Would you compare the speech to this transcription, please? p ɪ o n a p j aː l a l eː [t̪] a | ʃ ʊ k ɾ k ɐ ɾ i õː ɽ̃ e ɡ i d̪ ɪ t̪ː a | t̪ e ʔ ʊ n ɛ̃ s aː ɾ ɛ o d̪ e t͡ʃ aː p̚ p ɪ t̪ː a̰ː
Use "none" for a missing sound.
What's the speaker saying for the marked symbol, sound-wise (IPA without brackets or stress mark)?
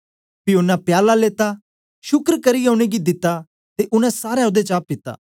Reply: t̪